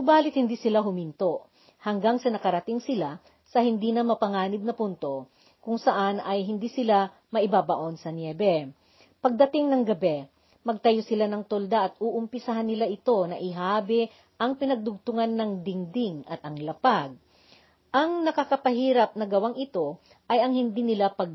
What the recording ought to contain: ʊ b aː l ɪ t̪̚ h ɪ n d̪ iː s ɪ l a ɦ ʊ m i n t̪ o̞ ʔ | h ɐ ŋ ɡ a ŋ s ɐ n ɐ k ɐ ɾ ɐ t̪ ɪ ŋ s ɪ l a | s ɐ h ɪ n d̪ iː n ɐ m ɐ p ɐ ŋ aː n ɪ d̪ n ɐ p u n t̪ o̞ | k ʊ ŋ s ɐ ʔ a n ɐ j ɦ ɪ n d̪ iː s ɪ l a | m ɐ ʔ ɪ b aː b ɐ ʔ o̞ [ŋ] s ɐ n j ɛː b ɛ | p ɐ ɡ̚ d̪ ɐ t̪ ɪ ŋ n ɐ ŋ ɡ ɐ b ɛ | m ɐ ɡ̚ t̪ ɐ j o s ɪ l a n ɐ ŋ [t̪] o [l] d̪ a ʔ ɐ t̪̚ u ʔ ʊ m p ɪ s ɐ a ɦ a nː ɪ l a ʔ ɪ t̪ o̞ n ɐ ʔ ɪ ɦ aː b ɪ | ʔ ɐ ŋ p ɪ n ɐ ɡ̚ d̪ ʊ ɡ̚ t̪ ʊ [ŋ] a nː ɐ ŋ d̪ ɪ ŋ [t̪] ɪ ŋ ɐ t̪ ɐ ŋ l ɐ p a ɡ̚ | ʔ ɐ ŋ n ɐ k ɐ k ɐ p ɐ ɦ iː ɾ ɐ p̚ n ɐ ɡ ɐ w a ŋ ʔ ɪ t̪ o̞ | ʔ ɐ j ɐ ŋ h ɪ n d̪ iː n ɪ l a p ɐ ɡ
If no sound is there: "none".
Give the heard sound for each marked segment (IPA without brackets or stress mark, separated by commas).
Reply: n, t̪, l, ŋ, d̪